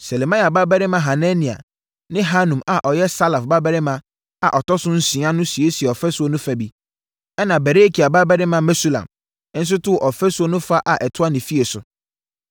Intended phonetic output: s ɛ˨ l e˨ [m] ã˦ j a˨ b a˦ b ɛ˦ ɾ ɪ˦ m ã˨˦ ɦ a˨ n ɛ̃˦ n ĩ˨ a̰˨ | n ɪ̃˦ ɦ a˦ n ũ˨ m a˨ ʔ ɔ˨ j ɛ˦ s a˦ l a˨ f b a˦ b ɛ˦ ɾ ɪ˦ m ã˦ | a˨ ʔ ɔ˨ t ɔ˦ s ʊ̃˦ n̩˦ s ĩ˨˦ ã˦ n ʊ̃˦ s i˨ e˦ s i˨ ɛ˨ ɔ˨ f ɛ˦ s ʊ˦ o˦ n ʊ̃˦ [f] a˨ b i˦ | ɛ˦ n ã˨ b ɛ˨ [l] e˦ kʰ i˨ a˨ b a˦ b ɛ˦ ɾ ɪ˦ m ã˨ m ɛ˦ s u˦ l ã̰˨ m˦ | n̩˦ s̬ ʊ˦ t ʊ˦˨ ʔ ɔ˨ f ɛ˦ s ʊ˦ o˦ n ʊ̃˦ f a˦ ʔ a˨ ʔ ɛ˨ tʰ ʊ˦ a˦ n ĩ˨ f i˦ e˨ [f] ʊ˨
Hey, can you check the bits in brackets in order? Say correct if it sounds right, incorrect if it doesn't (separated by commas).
correct, correct, incorrect, incorrect